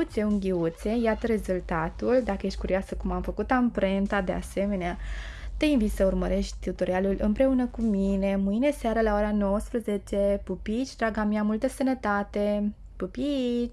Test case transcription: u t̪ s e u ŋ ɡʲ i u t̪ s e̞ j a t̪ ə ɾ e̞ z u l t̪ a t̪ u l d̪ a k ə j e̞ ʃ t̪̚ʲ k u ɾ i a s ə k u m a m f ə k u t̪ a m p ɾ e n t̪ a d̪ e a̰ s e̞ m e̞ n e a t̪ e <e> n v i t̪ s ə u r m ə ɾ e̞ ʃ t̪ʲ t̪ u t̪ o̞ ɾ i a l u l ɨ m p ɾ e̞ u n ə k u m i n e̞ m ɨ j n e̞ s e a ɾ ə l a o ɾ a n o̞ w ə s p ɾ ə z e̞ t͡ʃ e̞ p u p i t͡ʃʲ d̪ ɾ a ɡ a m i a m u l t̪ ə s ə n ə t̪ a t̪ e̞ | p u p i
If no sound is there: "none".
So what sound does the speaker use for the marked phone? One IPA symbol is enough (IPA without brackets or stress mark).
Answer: i